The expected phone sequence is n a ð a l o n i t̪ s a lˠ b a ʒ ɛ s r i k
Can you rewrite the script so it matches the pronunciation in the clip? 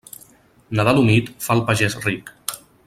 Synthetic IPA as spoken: n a ð a l u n i t̪ f a lˠ p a ʒ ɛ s r i k